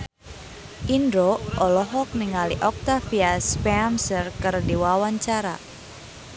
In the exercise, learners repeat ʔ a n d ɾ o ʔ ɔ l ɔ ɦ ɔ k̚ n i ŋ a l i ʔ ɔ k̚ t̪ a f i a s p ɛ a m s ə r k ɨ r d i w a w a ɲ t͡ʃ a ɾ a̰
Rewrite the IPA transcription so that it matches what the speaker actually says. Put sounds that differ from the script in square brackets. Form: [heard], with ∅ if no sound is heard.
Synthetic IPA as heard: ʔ [i] n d ɾ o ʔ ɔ l ɔ ɦ ɔ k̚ n i ŋ a l i ʔ ɔ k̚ t̪ a f i a s p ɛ a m s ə r k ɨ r d i w a w a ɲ t͡ʃ a ɾ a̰